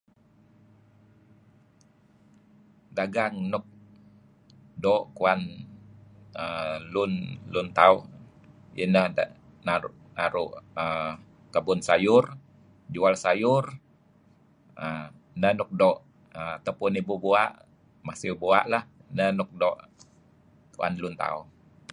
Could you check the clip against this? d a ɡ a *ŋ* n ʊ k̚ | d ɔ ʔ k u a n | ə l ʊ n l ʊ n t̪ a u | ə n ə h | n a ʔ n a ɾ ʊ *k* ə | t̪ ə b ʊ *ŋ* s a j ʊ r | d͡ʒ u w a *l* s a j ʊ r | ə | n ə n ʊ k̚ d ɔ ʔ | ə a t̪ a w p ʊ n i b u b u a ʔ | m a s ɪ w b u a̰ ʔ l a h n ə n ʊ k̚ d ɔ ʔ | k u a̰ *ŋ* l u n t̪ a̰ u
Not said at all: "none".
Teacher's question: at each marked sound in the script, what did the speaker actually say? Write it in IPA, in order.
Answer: ŋ, ʔ, n, l, n

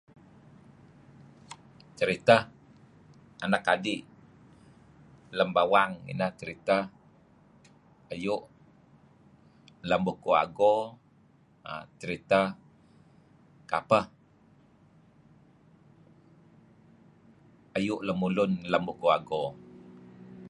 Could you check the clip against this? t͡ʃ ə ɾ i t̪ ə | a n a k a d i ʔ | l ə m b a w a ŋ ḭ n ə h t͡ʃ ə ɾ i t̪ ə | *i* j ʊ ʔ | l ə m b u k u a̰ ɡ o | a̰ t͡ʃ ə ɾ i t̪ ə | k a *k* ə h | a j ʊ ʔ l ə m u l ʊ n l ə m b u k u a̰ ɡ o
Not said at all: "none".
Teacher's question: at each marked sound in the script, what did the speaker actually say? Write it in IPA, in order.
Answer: a, p

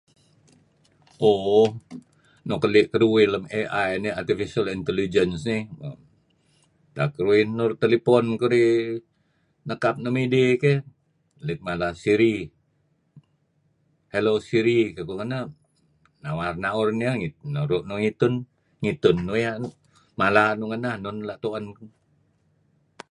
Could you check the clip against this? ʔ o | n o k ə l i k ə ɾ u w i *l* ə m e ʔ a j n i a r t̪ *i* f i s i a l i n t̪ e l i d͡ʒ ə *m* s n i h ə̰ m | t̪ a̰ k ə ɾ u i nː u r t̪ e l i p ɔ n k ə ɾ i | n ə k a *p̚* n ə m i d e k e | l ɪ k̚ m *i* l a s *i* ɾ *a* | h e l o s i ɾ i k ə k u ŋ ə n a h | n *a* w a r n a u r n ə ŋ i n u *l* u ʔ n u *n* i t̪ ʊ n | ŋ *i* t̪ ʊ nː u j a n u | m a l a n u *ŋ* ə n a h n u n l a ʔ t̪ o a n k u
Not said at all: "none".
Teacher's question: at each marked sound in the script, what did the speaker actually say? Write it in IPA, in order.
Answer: l, i, n, p̚, a, i, i, a, ɾ, ŋ, i, ŋ

